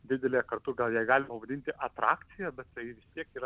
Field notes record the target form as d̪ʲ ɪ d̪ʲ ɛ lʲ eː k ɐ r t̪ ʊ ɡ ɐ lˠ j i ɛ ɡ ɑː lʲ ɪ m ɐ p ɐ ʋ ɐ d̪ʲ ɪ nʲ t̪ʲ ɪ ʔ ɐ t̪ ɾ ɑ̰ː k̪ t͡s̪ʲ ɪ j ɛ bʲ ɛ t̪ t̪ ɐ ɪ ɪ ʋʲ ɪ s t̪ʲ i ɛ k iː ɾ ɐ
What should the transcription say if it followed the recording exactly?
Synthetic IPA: d̪ʲ ɪ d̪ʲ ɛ lʲ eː k ɐ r t̪ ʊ ɡ ɐ lˠ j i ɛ ɡ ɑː lʲ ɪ m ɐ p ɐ ʋ ɐ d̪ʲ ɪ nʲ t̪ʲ ɪ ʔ ɐ t̪ ɾ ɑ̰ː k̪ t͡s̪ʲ ɪ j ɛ bʲ ɛ t̪ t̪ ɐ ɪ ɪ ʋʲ ɪ s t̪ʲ i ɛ k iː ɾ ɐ